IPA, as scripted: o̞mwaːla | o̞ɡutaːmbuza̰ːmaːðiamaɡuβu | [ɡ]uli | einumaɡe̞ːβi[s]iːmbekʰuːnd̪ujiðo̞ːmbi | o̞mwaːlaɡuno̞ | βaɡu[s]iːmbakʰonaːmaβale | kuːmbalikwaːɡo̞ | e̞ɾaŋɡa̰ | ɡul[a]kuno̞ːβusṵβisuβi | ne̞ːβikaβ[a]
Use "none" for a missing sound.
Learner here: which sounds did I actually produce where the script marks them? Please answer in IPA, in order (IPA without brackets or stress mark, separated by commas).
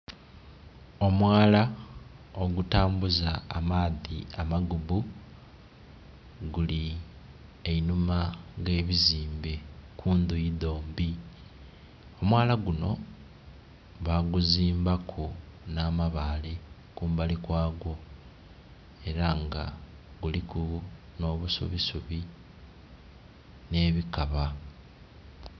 ɡ, z, z, i, a